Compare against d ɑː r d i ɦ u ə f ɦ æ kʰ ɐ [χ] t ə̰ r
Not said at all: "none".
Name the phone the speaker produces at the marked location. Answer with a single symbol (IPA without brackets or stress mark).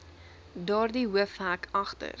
χ